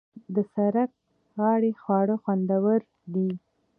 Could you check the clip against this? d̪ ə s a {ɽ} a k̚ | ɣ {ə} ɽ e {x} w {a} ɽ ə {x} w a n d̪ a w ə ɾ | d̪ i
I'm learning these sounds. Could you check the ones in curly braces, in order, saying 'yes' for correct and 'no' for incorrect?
no, no, yes, no, yes

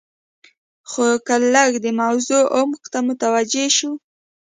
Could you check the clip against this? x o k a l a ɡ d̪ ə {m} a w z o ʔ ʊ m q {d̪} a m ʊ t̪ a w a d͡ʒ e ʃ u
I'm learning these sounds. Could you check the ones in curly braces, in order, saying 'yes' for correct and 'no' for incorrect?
yes, no

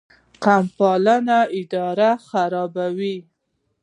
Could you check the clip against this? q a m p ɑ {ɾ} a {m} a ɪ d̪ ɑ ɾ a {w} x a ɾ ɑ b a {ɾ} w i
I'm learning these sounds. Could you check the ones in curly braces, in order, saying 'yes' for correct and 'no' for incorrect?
no, no, no, no

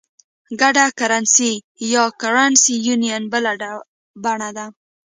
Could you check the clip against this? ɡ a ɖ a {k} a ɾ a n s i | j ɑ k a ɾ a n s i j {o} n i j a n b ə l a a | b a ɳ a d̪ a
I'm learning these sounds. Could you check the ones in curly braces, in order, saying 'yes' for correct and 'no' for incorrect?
yes, no

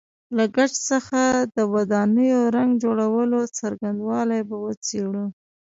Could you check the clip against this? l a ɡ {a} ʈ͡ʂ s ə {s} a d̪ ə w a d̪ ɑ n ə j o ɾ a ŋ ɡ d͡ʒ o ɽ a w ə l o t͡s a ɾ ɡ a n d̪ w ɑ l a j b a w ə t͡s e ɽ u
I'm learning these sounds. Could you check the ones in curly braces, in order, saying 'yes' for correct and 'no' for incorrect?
yes, no

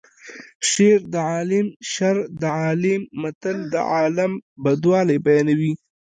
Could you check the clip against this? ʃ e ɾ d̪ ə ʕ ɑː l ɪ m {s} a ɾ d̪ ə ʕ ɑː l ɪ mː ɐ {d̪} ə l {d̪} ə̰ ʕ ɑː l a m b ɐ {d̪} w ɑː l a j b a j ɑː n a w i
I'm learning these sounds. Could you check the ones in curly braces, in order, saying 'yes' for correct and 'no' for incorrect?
no, no, yes, yes

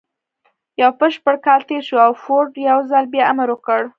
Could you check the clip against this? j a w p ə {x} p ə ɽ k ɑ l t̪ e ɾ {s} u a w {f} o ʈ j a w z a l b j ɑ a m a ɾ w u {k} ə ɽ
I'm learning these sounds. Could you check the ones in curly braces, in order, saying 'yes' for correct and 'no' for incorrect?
no, no, yes, yes

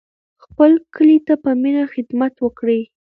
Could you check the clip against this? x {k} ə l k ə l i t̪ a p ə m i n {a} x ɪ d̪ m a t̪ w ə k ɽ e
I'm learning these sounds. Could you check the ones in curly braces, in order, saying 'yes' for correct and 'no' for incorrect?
no, yes

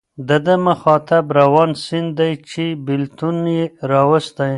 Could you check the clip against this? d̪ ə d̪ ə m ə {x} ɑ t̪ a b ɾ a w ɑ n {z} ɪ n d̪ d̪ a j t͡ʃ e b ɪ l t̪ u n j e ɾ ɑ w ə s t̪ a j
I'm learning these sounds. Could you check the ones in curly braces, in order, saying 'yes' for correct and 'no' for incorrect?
yes, no

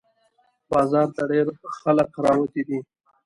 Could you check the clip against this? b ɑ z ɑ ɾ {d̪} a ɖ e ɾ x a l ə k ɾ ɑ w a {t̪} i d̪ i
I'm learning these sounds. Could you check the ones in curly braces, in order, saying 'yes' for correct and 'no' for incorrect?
no, yes

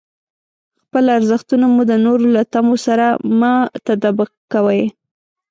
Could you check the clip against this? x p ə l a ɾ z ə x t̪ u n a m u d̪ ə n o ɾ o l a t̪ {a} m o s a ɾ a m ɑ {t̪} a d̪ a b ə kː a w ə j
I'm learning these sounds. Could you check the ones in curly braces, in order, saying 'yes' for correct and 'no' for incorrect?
yes, yes

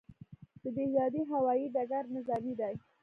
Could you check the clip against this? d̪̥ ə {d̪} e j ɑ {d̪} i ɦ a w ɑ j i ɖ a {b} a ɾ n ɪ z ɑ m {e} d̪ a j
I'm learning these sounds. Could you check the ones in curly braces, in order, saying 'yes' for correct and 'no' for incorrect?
yes, yes, no, no

